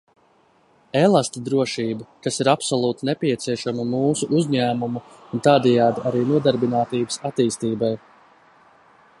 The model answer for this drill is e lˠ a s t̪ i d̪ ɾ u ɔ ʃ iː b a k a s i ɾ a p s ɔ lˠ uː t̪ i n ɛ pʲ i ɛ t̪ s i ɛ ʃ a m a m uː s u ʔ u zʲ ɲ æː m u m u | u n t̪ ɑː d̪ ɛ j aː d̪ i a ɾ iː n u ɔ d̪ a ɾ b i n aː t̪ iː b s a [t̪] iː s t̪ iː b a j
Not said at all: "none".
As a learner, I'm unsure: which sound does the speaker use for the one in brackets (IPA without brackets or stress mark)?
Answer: t̪